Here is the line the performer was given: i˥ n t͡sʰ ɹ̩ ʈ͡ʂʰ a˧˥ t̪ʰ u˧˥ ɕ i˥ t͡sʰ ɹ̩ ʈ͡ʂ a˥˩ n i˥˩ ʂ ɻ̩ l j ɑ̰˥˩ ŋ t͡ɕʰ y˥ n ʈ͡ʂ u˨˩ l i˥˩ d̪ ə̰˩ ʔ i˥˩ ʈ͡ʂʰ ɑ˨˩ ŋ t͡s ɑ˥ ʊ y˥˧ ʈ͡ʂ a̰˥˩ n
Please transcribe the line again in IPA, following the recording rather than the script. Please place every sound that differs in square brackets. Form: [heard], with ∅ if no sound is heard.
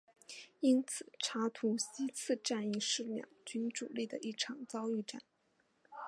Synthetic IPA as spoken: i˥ n t͡sʰ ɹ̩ ʈ͡ʂʰ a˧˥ t̪ʰ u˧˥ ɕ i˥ t͡sʰ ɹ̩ ʈ͡ʂ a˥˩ n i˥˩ ʂ ɻ̩ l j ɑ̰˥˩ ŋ [t͡ɕ] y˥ n ʈ͡ʂ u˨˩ l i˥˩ d̪ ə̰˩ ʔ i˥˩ ʈ͡ʂʰ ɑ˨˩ ŋ t͡s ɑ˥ ʊ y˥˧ ʈ͡ʂ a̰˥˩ n